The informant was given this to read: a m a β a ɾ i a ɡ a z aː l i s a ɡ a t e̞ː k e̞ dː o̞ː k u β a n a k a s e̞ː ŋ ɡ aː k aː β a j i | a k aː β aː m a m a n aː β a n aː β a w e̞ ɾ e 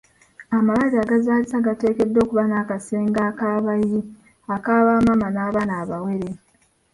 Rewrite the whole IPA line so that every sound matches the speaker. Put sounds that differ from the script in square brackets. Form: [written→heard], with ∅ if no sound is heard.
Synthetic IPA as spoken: a m a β a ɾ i a ɡ a z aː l i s a ɡ a t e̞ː k e̞ dː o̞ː k u β a n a k a s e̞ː ŋ ɡ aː k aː β a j i | a k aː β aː m a m a n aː β a n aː β a w e̞ ɾ e